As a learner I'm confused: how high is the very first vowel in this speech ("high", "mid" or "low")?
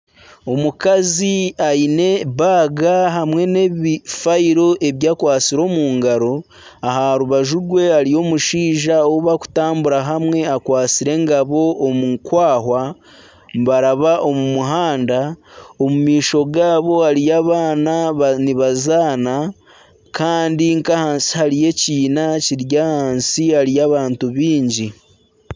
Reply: mid